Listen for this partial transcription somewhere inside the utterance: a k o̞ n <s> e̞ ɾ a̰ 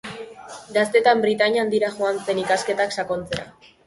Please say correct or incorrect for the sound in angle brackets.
incorrect